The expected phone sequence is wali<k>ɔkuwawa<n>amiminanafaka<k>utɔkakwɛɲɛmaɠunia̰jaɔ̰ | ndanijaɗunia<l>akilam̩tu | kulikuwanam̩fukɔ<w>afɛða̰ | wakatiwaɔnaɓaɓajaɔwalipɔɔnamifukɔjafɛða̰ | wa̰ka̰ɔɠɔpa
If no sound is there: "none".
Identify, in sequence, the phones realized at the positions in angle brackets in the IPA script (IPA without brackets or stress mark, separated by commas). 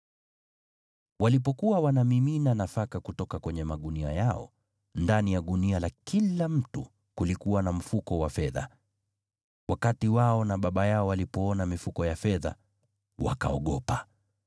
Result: p, n, k, l, w